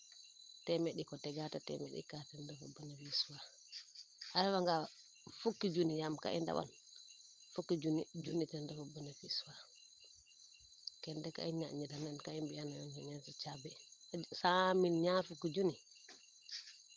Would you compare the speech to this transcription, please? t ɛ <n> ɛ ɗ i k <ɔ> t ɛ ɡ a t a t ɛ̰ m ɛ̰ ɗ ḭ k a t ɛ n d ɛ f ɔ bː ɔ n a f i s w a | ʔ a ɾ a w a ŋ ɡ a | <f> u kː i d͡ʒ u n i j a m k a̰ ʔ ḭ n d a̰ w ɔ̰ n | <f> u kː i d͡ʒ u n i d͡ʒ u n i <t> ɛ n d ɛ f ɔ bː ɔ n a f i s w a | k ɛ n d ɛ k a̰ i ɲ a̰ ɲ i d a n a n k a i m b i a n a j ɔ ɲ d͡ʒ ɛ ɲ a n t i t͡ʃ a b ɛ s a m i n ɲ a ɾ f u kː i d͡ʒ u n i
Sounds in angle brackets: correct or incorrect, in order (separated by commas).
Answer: incorrect, correct, correct, correct, correct